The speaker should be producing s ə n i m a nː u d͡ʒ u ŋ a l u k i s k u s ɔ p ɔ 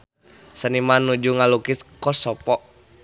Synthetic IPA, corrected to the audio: s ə n i m a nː u d͡ʒ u ŋ a l u k i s k ɔ s ɔ p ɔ